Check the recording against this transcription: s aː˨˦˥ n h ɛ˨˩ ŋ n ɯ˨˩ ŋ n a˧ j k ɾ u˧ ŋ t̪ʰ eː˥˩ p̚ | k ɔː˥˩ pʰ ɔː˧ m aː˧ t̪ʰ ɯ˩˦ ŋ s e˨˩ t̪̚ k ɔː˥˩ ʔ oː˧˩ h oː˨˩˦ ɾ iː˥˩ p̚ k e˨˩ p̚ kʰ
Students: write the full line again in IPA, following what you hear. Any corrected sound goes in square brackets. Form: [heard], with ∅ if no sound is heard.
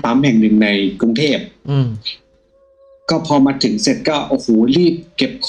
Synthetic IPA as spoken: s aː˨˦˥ [m] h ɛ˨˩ ŋ n ɯ˨˩ ŋ n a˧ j k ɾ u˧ ŋ t̪ʰ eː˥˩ p̚ | k ɔː˥˩ pʰ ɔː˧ m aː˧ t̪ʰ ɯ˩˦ ŋ s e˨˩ t̪̚ k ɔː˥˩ ʔ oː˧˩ h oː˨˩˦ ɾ iː˥˩ p̚ k e˨˩ p̚ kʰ